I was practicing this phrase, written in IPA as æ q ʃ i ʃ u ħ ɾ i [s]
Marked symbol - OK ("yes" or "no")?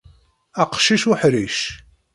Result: no